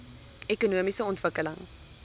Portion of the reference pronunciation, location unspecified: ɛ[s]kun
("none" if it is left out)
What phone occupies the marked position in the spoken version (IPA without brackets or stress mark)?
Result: none